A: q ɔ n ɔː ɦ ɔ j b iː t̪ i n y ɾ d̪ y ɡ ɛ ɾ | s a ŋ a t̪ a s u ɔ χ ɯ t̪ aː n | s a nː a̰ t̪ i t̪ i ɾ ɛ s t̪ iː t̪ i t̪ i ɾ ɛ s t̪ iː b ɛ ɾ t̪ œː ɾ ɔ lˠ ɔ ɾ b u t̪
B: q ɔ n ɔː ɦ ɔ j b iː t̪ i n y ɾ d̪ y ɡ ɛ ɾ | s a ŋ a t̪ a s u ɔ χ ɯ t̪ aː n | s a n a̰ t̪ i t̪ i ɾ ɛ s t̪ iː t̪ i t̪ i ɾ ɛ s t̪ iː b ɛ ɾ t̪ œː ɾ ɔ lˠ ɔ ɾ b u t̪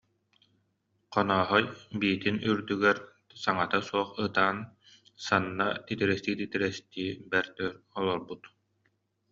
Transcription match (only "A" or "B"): A